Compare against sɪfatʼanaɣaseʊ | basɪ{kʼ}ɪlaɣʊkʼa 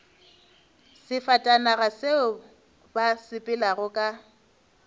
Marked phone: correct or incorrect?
incorrect